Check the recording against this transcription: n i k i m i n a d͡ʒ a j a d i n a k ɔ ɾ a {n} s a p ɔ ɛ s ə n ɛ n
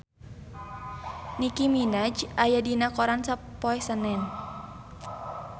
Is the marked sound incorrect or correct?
correct